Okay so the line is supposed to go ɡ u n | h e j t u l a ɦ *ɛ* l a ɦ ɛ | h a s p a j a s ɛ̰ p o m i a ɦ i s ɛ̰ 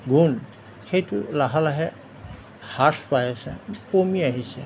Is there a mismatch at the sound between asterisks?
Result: yes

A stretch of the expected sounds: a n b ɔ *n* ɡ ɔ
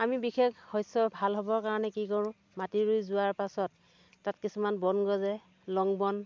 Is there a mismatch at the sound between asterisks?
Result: no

